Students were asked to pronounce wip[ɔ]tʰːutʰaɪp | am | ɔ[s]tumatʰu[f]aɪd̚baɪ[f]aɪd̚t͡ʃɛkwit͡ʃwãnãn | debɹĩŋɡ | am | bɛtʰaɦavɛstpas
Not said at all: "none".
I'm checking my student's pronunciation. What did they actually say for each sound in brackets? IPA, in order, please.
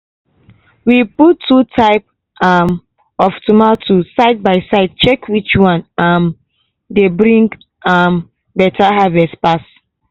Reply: u, f, s, s

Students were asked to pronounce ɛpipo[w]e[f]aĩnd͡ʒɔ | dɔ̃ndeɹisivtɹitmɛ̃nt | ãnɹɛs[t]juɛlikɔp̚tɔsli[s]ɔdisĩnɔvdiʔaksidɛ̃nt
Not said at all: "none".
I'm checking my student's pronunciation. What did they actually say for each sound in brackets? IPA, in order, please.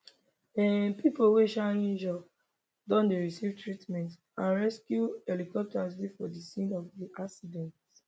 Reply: w, ʃ, k, f

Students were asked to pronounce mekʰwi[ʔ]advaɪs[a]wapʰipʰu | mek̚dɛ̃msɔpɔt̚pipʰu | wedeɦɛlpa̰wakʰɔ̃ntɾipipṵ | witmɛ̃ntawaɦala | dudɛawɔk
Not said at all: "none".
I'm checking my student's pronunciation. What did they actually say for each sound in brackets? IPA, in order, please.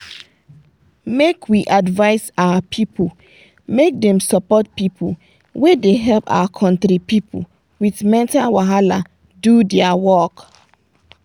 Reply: ʔ, a

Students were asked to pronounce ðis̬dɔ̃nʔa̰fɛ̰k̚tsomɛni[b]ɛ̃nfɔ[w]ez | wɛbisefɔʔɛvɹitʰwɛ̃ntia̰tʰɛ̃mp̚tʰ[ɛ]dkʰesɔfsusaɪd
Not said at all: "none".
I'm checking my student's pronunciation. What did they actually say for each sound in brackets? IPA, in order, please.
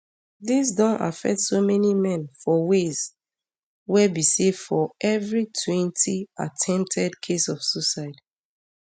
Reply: m, w, ɛ

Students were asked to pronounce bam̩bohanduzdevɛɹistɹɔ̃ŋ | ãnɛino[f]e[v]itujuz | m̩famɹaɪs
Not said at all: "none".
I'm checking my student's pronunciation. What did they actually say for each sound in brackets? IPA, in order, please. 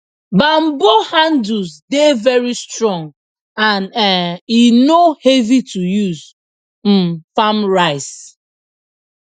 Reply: h, v

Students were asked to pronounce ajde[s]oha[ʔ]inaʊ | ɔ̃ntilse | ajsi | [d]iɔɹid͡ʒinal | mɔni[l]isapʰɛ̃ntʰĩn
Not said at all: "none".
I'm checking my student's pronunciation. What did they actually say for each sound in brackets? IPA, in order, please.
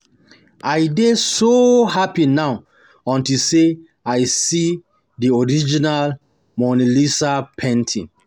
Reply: s, p, d, l

